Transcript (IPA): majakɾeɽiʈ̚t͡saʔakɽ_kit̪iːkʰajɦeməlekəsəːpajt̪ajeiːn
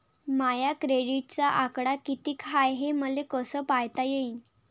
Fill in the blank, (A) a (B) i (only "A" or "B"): A